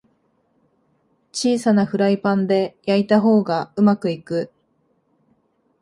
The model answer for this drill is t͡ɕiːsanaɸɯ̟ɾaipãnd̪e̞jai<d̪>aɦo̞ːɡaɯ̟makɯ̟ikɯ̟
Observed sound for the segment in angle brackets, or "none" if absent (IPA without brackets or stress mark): t̪